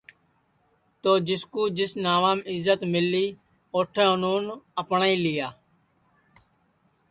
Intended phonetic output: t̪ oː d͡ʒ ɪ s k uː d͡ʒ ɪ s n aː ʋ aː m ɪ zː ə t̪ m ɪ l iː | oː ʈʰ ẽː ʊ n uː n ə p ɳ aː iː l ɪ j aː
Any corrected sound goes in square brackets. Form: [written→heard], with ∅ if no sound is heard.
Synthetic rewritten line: t̪ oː d͡ʒ ɪ s k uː d͡ʒ ɪ s n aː ʋ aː m ɪ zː ə t̪ m ɪ l iː | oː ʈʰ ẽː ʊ n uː n ə p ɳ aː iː l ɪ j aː